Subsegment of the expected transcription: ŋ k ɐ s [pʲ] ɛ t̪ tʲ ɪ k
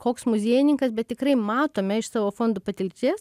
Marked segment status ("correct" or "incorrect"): incorrect